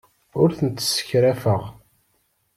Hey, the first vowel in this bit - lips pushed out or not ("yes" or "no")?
yes